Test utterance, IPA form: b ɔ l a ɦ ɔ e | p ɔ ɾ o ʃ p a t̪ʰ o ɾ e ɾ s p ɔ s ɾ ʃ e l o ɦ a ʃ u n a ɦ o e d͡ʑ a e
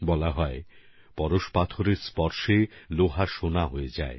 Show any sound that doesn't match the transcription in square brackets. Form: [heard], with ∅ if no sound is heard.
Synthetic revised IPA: b ɔ l a ɦ ɔ e | p ɔ ɾ o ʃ p a t̪ʰ o ɾ e ɾ s p ɔ [∅] ɾ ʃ e l o ɦ a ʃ [o] n a ɦ o e d͡ʑ a e

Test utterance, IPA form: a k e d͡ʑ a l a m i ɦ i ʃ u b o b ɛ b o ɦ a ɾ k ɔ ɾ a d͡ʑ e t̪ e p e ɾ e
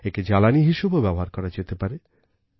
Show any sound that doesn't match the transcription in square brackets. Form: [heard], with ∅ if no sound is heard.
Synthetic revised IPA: [e] k e d͡ʑ a l a [n] i ɦ i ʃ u b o b ɛ b o ɦ a ɾ k ɔ ɾ a d͡ʑ e t̪ e p [a] ɾ e

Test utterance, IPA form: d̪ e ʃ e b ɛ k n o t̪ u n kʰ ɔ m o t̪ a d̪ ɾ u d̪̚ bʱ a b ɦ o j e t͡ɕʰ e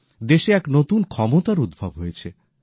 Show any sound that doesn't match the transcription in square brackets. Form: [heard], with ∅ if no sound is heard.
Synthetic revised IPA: d̪ e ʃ e [∅] ɛ k n o t̪ u n kʰ ɔ m o t̪ a [∅] ɾ u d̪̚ bʱ a b ɦ o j e t͡ɕʰ e

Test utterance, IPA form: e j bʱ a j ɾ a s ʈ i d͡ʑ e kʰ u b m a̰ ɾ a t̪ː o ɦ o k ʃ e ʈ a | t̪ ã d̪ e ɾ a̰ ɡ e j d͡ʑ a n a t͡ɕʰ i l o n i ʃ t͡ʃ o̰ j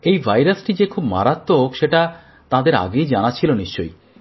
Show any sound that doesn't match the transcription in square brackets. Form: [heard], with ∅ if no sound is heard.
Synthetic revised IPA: e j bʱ a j ɾ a s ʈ i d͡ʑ e kʰ u b m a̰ ɾ a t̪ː o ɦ o k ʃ e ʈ a | t̪ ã d̪ e ɾ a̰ ɡ e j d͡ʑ a n a t͡ɕʰ i l o n i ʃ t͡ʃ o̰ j

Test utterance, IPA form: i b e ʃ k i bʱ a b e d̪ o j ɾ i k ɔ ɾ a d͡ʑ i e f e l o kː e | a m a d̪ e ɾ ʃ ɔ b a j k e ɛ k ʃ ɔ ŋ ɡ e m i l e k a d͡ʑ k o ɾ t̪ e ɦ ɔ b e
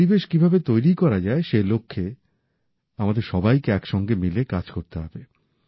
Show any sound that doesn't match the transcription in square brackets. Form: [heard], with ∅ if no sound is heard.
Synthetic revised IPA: i b e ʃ k i bʱ a b e [t̪] o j ɾ i k ɔ ɾ a d͡ʑ [a] e [ʃ] e l o [kʰː] e | a m a d̪ e ɾ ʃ ɔ b a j k e ɛ k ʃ ɔ ŋ ɡ e m i l e k a d͡ʑ k o ɾ t̪ e ɦ ɔ b e

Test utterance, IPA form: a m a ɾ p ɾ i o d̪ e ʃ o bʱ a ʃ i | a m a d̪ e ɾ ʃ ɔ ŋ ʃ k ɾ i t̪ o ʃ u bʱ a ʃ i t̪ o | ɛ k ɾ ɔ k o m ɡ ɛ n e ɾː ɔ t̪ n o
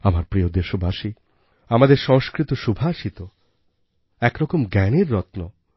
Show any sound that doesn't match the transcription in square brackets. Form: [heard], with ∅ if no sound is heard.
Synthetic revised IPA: a m a ɾ p ɾ i o d̪ e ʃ o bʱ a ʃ i | a m a d̪ e ɾ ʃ ɔ ŋ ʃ k ɾ i t̪ o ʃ u bʱ a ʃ i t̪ o | ɛ k ɾ ɔ k o m ɡ ɛ n e ɾː ɔ t̪ n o

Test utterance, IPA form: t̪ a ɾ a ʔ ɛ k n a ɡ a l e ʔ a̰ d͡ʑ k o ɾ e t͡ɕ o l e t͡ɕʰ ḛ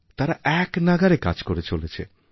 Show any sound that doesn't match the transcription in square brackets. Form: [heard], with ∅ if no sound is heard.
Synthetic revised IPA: t̪ a ɾ a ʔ ɛ k n a ɡ a [ɾ] e [k] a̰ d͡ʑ k o ɾ e t͡ɕ o l e t͡ɕʰ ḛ

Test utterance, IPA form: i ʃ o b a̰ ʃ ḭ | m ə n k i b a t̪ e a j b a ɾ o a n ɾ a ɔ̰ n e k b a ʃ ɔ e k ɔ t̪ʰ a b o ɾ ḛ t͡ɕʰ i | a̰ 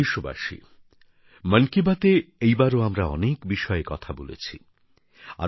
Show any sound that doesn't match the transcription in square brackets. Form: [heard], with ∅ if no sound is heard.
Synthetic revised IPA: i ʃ o b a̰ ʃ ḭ | m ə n k i b a t̪ e [e] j b a ɾ o a [m] ɾ a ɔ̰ n e k b [i] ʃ ɔ e k ɔ t̪ʰ a b o [l] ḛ t͡ɕʰ i | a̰

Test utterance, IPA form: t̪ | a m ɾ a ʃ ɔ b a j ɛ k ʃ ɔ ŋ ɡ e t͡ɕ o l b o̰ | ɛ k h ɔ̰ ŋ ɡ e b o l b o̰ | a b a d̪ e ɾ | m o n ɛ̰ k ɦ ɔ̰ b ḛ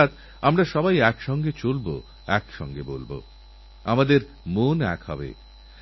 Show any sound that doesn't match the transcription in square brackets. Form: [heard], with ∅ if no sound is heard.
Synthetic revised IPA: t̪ | a m ɾ a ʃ ɔ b a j ɛ k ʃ ɔ ŋ ɡ e t͡ɕ o l b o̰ | ɛ k [ʃ] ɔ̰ ŋ ɡ e b o l b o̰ | a [m] a d̪ e ɾ | m o n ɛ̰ k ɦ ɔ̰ b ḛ

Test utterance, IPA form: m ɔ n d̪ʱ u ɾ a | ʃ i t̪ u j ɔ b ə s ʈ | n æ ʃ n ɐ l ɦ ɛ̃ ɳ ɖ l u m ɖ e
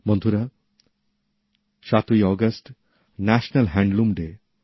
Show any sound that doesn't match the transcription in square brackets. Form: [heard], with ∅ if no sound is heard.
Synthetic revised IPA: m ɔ n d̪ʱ u ɾ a | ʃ [a] t̪ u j ɔ [ɡ] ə s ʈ | n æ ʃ n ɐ l ɦ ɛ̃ ɳ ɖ l u m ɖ e

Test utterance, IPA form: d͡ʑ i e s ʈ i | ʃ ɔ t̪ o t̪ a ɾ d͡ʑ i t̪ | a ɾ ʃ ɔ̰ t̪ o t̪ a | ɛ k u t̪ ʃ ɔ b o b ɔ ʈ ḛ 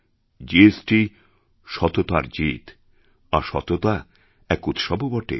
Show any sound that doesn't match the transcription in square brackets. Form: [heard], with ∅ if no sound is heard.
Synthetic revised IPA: d͡ʑ i e s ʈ i | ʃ ɔ t̪ o t̪ a ɾ d͡ʑ i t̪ | a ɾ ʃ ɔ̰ t̪ o t̪ a | ɛ k u t̪ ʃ ɔ b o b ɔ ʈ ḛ

